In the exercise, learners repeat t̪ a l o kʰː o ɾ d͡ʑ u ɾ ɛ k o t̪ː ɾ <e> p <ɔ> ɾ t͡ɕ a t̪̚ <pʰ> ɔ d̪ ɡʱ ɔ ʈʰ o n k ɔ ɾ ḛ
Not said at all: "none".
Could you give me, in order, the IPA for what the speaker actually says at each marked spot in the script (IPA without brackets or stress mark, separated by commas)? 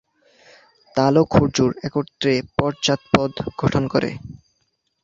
e, ɔ, p